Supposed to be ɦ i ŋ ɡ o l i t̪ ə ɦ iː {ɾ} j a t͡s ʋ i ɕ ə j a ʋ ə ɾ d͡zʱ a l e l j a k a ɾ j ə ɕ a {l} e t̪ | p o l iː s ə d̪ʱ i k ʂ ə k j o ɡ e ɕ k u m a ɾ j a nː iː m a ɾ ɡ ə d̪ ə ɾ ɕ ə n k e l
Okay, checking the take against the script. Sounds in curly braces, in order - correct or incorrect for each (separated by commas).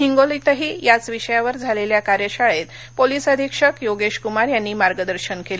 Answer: incorrect, incorrect